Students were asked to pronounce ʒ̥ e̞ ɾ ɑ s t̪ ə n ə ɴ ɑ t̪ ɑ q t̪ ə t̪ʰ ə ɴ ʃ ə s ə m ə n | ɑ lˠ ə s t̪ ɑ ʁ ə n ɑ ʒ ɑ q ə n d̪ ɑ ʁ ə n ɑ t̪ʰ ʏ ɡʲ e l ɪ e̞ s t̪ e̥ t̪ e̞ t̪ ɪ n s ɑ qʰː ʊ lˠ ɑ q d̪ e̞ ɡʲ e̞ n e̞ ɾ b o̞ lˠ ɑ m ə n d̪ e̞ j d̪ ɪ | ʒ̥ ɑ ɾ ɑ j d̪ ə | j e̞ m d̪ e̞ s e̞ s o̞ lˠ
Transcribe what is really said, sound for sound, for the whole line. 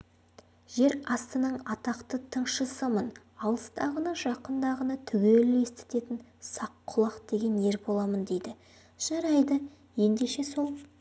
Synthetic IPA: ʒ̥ e̞ ɾ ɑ s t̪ ə n ə ɴ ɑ t̪ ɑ q t̪ ə t̪ʰ ə ɴ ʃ ə s ə m ə n | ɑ lˠ ə s t̪ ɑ ʁ ə n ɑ ʒ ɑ q ə n d̪ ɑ ʁ ə n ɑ t̪ʰ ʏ ɡʲ e l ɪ e̞ s t̪ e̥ t̪ e̞ t̪ ɪ n s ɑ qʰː ʊ lˠ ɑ q d̪ e̞ ɡʲ e̞ n e̞ ɾ b o̞ lˠ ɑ m ə n d̪ e̞ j d̪ ɪ | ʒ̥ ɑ ɾ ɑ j d̪ ə | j e̞ n d̪ e̞ ʃ e̞ s o̞ lˠ

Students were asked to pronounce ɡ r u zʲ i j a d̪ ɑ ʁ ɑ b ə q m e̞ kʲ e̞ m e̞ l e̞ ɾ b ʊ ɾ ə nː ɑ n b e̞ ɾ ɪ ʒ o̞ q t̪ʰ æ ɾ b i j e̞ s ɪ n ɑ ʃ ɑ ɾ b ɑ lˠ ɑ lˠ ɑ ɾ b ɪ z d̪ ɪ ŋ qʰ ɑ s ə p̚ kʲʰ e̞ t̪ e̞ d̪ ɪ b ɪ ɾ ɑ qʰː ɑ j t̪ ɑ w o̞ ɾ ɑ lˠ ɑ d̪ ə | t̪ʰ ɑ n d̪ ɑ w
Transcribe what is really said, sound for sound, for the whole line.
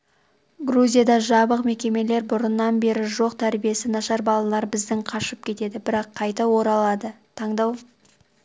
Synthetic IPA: ɡ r u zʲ i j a d̪ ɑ ʒ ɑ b ə q m e̞ kʲ e̞ m e̞ l e̞ ɾ b ʊ ɾ ə nː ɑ n b e̞ ɾ ɪ ʒ o̞ q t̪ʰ æ ɾ b i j e̞ s ɪ n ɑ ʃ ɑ ɾ b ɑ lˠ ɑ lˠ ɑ ɾ b ɪ z d̪ ɪ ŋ qʰ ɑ ʃ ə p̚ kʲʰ e̞ t̪ e̞ d̪ ɪ b ɪ ɾ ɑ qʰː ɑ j t̪ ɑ w o̞ ɾ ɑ lˠ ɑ d̪ ə | t̪ʰ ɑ ɴ d̪ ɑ w

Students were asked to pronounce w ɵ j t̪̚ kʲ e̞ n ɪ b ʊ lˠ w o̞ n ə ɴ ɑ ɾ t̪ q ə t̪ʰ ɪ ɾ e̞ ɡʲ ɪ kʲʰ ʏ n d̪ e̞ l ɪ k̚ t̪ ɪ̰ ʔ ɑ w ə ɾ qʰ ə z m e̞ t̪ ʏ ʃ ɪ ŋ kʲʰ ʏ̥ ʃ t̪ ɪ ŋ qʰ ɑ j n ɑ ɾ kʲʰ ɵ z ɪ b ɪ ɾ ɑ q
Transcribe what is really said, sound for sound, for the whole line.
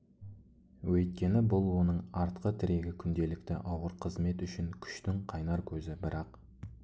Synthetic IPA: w ɵ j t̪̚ kʲ e̞ n ɪ b ʊ lˠ w o̞ n ə ɴ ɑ ɾ t̪ q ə t̪ʰ ɪ ɾ e̞ ɡʲ ɪ kʲʰ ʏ n d̪ e̞ l ɪ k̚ t̪ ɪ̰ ʔ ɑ w ə ɾ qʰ ə z m e̞ t̪ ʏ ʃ ɪ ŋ kʲʰ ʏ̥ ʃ t̪ ɪ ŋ qʰ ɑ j n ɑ ɾ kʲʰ ɵ z ɪ b ɪ ɾ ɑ q

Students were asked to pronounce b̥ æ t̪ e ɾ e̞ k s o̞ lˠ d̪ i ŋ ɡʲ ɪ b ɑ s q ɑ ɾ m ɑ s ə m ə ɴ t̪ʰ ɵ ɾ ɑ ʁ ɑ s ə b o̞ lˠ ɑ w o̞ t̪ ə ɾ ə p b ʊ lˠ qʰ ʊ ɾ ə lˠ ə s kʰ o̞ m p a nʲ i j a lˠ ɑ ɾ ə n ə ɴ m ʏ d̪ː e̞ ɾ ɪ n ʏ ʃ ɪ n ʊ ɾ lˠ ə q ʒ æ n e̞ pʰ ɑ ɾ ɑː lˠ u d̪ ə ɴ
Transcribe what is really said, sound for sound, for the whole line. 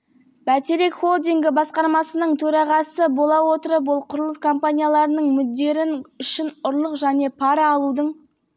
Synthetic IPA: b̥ æ t̪ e ɾ e̞ k χ o̞ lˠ d̪ i ŋ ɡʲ ɪ b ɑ s q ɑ ɾ m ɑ s ə n ə ɴ t̪ʰ ɵ ɾ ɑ ʁ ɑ s ə b o̞ lˠ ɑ w o̞ t̪ ə ɾ ə p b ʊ lˠ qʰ ʊ ɾ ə lˠ ə s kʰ o̞ m p a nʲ i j a lˠ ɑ ɾ ə n ə ɴ m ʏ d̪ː e̞ ɾ ɪ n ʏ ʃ ɪ n ʊ ɾ lˠ ə q ʒ æ n e̞ pʰ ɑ ɾ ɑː lˠ u d̪ ə ɴ

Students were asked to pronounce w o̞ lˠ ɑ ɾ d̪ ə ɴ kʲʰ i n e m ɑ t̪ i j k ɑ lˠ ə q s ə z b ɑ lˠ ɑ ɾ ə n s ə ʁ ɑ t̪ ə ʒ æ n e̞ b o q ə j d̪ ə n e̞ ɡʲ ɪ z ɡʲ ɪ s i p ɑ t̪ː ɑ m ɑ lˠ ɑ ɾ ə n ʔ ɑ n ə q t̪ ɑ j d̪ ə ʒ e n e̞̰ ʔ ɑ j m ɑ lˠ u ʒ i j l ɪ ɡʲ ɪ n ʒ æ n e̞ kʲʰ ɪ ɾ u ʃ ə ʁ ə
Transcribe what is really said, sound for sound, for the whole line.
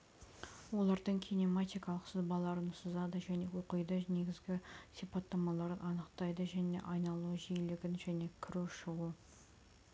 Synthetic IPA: w o̞ lˠ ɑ ɾ d̪ ə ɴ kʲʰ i n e m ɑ t̪ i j k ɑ lˠ ə q s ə z b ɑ lˠ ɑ ɾ ə n s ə z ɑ d̪ ə ʒ æ n e̞ w o q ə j d̪ ə n e̞ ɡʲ ɪ z ɡʲ ɪ s i p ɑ t̪ː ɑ m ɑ lˠ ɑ ɾ ə n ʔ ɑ n ə q t̪ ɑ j d̪ ə ʒ æ n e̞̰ ʔ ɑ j n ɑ lˠ u ʒ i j l ɪ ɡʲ ɪ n ʒ æ n e̞ kʲʰ ɪ ɾ u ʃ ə ʁ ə

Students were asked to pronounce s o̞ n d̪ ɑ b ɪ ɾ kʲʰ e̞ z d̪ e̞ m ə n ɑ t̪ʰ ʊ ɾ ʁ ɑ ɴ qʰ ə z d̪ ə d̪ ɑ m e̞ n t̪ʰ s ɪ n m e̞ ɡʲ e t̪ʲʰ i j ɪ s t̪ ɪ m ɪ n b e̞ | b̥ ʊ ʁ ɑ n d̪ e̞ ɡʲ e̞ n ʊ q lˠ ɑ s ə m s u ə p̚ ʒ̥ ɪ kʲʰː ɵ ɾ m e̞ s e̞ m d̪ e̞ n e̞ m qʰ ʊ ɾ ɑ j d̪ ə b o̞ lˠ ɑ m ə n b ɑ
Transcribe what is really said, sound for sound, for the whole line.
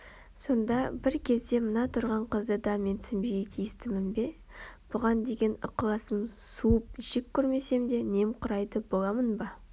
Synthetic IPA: s o̞ n d̪ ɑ b ɪ ɾ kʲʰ e̞ z d̪ e̞ m ə n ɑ t̪ʰ ʊ ɾ ʁ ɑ ɴ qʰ ə z d̪ ə d̪ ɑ m e̞ n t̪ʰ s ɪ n b e̞ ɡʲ e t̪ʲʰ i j ɪ s t̪ ɪ m ɪ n b e̞ | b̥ ʊ ʁ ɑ n d̪ e̞ ɡʲ e̞ n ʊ q lˠ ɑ s ə m s u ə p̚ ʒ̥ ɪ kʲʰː ɵ ɾ m e̞ s e̞ m d̪ e̞ n e̞ m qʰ ʊ ɾ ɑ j d̪ ə b o̞ lˠ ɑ m ə n b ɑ

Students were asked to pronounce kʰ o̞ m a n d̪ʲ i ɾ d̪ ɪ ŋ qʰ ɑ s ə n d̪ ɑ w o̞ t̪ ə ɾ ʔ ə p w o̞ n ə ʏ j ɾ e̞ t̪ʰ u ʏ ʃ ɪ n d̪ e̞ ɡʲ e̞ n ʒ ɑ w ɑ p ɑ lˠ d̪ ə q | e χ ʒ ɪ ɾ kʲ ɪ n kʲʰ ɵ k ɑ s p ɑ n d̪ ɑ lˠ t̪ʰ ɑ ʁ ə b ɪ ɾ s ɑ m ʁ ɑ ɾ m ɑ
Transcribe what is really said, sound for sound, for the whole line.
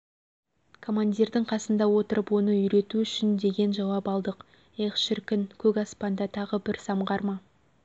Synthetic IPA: kʰ o̞ m a n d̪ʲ i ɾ d̪ ɪ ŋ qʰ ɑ s ə n d̪ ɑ w o̞ t̪ ə ɾ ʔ ə p w o̞ n ə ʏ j ɾ e̞ t̪ u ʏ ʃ ɪ n d̪ e̞ ɡʲ e̞ n ʒ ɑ w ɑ p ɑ lˠ d̪ ə q | e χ ʃ ɪ ɾ kʲ ɪ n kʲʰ ɵ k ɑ s p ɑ n d̪ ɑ t̪ʰ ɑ ʁ ə b ɪ ɾ s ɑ m ʁ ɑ ɾ m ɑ

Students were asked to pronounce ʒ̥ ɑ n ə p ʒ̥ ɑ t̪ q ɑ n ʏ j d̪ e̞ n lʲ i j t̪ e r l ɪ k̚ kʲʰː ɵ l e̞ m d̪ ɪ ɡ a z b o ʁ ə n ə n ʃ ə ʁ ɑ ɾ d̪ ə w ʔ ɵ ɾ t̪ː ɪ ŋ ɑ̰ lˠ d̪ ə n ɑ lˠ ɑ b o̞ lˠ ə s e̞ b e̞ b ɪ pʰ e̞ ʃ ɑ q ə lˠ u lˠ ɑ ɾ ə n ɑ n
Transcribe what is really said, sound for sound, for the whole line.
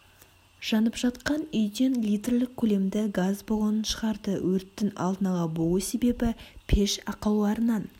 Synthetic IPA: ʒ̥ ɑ n ə p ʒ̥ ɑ t̪ q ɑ n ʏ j d̪ e̞ n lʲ i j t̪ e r l ɪ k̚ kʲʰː ɵ l e̞ m d̪ ɪ ɡ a z b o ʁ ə n ə n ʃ ə ʁ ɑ ɾ d̪ ə w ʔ ɵ ɾ t̪ː ɪ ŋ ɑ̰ lˠ d̪ ə n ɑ lˠ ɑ b o̞ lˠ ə s e̞ b e̞ b ɪ pʰ e̞ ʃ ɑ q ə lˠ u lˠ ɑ ɾ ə n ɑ n

